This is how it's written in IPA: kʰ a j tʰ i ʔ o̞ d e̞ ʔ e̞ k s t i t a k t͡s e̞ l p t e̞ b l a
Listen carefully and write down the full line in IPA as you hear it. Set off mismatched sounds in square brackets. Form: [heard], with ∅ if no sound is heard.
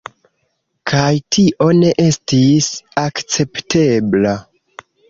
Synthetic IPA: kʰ a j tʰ i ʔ o̞ [n] e̞ ʔ e̞ [∅] s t i [s] a k t͡s e̞ [∅] p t e̞ b l a